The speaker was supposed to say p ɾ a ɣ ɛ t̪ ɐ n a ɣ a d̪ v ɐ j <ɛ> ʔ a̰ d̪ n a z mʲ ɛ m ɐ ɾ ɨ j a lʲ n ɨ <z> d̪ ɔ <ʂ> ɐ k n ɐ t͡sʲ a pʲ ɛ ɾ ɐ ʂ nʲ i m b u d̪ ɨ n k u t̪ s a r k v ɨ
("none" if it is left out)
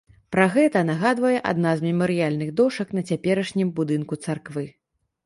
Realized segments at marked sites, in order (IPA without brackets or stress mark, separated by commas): ɛ, ɣ, ʂ